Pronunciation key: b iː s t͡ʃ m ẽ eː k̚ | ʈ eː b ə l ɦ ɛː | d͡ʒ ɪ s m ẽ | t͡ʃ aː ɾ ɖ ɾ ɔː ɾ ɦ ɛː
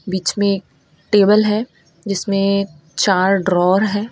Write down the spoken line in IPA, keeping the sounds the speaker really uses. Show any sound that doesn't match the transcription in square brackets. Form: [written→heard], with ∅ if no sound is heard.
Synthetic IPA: b iː [s→∅] t͡ʃ m ẽ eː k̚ | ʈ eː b ə l ɦ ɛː | d͡ʒ ɪ s m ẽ | t͡ʃ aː ɾ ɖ ɾ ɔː ɾ ɦ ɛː